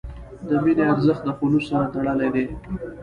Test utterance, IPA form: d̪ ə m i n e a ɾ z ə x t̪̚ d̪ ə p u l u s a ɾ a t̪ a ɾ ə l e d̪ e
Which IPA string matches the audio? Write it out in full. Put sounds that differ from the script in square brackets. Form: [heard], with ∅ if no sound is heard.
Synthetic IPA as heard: d̪ ə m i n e a ɾ z ə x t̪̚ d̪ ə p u l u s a ɾ a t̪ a [ɽ] ə l e d̪ e